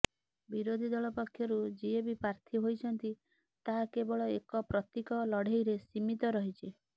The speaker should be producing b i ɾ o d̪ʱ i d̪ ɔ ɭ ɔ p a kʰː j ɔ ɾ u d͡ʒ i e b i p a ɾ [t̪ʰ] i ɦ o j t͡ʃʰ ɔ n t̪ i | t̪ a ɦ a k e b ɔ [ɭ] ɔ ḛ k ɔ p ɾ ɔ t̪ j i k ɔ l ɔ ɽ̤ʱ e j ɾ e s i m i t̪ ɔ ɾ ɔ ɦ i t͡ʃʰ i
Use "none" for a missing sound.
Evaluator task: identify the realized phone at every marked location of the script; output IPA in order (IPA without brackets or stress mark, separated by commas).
t̪ʰ, ɭ